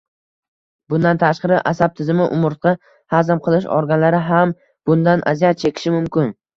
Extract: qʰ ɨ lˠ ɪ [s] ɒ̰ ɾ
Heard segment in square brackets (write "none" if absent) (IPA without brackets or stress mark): ʃ